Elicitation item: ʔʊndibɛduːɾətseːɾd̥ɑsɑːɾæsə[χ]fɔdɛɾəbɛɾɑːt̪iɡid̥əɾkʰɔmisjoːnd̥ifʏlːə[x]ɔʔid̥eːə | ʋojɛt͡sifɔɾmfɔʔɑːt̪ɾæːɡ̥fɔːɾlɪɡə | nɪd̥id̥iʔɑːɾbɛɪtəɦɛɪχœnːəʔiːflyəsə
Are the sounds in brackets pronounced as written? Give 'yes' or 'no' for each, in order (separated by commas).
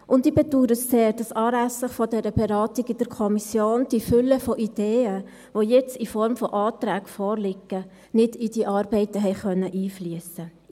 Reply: yes, no